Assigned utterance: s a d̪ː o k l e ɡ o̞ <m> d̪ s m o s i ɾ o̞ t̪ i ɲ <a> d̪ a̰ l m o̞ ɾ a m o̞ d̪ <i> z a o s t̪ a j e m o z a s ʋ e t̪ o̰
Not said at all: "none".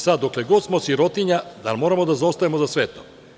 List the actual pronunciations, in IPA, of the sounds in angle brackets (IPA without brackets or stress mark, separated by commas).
none, a, a